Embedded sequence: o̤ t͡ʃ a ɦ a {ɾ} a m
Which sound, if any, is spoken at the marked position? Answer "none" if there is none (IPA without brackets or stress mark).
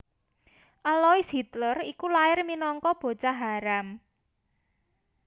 ɾ